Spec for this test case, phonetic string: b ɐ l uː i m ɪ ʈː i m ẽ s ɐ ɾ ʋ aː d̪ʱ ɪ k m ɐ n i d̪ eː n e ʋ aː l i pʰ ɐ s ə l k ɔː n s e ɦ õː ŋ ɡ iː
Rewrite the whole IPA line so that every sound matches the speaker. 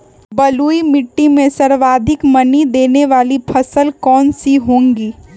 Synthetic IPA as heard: b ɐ l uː i m ɪ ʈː i m ẽ s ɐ ɾ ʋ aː d̪ʱ ɪ k m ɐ n i d̪ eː n e ʋ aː l i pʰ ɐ s ə l k ɔː n s i ɦ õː ŋ ɡ iː